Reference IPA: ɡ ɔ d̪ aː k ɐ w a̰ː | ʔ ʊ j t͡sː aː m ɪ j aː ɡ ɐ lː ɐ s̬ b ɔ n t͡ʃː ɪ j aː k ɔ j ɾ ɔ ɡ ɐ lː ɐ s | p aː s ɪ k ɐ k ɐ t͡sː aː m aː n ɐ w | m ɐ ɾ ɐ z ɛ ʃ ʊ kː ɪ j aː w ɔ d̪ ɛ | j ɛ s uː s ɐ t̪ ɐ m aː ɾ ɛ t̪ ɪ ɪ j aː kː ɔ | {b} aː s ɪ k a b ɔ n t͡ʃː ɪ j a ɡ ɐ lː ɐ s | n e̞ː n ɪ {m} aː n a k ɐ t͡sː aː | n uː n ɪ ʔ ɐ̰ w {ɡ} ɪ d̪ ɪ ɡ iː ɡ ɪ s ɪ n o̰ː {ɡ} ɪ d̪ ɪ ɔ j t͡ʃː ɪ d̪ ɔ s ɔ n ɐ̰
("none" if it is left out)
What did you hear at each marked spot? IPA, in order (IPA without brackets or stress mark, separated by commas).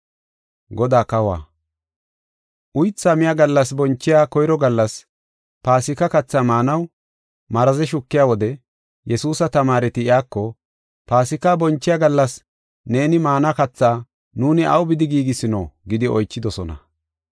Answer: p, m, b, ɡ